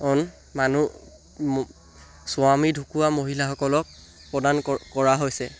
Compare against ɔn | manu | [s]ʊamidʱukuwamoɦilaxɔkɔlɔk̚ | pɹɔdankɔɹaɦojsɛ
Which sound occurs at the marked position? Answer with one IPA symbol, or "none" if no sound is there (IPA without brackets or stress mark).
s